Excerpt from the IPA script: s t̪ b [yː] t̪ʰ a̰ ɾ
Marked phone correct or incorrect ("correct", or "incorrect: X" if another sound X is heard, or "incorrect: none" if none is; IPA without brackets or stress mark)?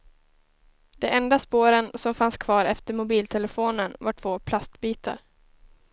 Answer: incorrect: iː